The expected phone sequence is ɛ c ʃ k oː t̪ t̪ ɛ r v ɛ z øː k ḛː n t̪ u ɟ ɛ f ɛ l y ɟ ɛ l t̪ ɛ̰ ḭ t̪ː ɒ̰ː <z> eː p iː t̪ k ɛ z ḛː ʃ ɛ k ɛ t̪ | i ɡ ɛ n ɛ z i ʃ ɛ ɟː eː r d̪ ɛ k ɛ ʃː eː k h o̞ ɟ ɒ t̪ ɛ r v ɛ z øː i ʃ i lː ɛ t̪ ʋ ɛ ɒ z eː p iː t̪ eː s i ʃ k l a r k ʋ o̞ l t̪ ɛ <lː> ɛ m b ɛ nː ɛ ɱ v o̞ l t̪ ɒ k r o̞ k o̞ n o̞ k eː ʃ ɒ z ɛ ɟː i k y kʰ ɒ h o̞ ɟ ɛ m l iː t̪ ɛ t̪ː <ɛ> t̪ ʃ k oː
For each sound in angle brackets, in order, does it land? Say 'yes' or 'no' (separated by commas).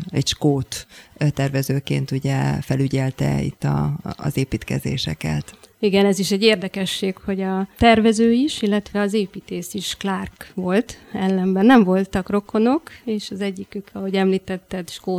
yes, yes, yes